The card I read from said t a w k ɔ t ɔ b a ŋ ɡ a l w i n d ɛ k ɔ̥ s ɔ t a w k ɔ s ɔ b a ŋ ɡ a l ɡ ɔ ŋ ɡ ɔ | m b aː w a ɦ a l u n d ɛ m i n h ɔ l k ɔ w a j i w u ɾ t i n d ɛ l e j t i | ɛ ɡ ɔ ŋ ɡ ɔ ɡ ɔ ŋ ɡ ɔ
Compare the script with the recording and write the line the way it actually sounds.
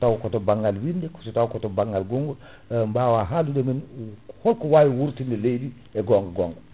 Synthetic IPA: t a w k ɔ t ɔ b a ŋ ɡ a l w i n d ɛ k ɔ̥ s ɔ t a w k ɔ t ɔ b a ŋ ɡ a l ɡ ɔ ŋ ɡ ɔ | m b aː w a ɦ a l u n d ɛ m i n h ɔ l k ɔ w a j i w u ɾ t i n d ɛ l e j d i | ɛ ɡ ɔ ŋ ɡ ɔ ɡ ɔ ŋ ɡ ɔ